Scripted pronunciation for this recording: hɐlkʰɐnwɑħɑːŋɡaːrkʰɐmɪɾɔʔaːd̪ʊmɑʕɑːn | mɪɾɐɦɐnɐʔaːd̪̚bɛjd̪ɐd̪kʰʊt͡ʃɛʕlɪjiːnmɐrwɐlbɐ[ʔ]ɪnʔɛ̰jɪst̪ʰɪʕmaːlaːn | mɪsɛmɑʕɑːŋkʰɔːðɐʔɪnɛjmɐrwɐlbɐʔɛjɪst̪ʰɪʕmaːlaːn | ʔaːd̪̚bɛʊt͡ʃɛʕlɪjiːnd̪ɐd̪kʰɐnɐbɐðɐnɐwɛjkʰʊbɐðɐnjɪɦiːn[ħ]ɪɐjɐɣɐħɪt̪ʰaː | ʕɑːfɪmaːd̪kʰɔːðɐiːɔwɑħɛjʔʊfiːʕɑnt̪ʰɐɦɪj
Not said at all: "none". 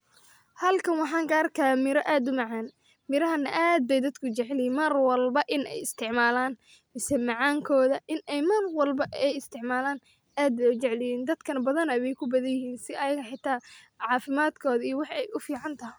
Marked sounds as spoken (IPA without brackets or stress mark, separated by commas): ʔ, s